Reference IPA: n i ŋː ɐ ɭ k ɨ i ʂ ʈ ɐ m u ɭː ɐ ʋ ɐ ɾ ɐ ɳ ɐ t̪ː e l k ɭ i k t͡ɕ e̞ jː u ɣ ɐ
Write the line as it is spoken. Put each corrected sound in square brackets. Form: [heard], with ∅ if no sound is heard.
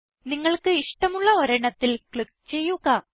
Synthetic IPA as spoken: n i ŋː ɐ ɭ k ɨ i ʂ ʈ ɐ m u ɭː ɐ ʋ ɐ ɾ ɐ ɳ ɐ t̪ː [i] l k ɭ i k t͡ɕ e̞ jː u ɣ ɐ